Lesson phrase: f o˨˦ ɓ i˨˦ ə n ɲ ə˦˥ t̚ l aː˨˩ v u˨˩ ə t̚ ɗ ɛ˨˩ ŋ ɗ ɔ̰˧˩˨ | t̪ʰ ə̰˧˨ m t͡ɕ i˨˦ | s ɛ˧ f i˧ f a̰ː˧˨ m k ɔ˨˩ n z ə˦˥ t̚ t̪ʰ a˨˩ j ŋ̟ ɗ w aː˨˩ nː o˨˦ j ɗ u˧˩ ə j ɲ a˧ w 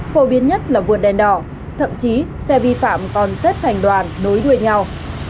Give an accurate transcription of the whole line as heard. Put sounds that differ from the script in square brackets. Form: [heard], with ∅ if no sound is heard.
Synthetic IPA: f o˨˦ ɓ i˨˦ ə n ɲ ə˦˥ t̚ l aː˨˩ v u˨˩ ə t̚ ɗ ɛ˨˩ [n] ɗ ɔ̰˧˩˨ | t̪ʰ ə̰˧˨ m t͡ɕ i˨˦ | s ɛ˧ [v] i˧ f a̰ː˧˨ m k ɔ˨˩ n z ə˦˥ t̚ t̪ʰ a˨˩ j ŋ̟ ɗ w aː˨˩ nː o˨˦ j ɗ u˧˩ ə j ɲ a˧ w